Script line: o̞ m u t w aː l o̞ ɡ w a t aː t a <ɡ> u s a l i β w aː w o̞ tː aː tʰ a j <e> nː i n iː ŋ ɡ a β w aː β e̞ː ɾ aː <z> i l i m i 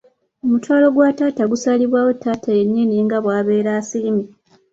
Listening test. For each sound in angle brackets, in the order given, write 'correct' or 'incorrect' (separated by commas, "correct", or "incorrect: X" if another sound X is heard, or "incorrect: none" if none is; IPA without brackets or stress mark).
correct, correct, incorrect: s